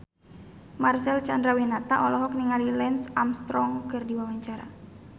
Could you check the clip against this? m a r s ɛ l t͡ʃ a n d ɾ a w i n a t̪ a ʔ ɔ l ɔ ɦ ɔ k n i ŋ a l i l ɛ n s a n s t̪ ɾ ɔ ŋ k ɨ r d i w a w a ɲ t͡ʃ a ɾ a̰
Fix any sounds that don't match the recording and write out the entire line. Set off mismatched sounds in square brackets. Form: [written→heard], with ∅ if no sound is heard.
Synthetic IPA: m a r s ɛ l t͡ʃ a n d ɾ a w i n a t̪ a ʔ ɔ l ɔ ɦ ɔ k n i ŋ a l i l ɛ n s a [n→m] s t̪ ɾ ɔ ŋ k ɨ r d i w a w a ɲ t͡ʃ a ɾ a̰

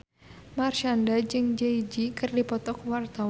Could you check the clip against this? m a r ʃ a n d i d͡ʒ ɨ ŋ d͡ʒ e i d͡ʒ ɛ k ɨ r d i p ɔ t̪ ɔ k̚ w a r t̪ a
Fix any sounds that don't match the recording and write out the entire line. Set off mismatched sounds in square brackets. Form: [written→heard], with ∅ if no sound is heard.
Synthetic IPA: m a r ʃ a n d [i→a] d͡ʒ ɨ ŋ d͡ʒ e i d͡ʒ [ɛ→i] k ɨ r d i p ɔ t̪ ɔ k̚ w a r t̪ a

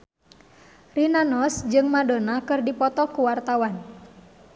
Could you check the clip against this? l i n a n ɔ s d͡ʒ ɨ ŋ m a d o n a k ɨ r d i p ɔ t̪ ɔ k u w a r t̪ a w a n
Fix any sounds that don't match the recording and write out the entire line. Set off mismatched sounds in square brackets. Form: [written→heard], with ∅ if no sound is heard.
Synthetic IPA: [l→r] i n a n ɔ s d͡ʒ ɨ ŋ m a d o n a k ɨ r d i p ɔ t̪ ɔ k u w a r t̪ a w a n

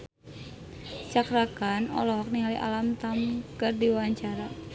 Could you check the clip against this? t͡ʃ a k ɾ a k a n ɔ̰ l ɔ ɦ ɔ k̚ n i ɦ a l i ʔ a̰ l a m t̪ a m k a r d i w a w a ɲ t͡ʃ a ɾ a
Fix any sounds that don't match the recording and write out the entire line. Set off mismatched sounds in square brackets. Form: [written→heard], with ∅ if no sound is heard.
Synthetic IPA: t͡ʃ a k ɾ a k a n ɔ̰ l ɔ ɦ ɔ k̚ n i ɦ a l i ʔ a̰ l a m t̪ a m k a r d i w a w a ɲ t͡ʃ a ɾ a

